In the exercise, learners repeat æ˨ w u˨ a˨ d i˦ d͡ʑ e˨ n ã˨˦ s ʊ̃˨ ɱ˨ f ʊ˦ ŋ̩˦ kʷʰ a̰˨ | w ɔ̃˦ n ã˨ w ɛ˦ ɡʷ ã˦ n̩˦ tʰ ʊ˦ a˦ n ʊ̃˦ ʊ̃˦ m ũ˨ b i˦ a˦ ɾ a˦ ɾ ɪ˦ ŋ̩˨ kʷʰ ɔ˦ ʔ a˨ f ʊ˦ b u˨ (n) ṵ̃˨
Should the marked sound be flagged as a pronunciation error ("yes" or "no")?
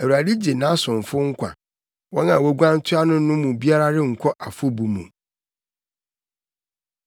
yes